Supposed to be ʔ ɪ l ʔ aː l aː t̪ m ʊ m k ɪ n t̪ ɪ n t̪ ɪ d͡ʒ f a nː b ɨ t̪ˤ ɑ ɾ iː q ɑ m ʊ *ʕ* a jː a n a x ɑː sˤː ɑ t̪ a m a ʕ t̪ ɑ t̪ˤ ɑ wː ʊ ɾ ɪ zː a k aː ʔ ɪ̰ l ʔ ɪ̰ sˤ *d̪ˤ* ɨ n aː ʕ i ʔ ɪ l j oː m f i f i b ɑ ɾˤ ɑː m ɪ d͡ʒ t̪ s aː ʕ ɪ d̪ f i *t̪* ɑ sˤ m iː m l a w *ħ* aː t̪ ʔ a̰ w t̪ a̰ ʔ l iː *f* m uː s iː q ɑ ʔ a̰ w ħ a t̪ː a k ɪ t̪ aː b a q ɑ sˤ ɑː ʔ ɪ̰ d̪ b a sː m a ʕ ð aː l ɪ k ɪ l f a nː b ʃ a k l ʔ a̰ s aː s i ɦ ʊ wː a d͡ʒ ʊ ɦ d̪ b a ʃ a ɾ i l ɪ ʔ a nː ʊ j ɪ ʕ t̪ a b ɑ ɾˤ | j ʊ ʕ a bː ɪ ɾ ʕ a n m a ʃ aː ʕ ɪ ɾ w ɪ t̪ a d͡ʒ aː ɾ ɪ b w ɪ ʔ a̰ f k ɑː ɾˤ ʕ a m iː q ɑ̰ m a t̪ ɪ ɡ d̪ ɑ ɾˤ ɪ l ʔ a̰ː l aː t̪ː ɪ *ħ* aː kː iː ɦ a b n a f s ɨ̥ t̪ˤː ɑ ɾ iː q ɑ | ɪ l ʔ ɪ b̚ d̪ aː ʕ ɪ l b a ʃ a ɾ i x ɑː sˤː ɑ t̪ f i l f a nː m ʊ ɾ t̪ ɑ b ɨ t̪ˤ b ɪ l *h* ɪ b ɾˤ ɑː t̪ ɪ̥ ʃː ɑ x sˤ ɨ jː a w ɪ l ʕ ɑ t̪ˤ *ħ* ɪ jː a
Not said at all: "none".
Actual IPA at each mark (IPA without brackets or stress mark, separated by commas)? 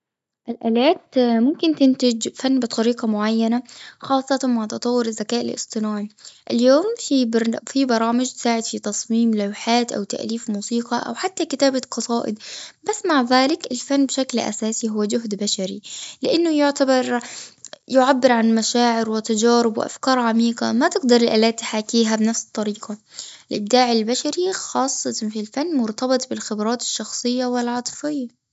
ʕ, t̪ˤ, t̪, ħ, f, ħ, x, f